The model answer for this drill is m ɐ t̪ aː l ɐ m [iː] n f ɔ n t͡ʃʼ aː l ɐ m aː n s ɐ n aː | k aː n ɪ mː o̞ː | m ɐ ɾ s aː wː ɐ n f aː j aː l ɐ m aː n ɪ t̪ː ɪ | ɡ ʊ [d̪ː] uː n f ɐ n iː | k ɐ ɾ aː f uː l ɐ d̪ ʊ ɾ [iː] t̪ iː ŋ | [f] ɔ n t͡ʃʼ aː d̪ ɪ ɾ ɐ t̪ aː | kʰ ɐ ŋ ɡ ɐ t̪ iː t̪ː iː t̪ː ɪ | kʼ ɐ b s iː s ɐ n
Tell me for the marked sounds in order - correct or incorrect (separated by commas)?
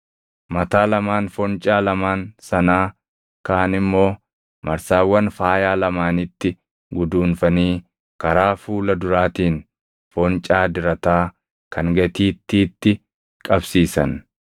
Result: incorrect, incorrect, incorrect, correct